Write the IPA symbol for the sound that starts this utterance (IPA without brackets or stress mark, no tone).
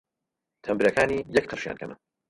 t̪ʰ